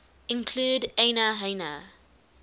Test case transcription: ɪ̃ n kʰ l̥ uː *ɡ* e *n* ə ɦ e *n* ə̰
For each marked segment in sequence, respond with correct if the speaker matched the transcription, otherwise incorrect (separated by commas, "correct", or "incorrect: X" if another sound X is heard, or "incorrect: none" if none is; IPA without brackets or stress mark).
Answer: incorrect: d, correct, correct